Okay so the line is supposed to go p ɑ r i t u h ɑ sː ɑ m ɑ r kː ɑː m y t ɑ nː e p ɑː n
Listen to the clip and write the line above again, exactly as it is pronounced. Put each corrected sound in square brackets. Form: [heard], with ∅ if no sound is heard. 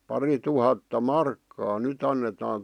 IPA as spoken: p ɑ r i t u h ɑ [tː] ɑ m ɑ r kː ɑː [n] y t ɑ nː e [t] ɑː n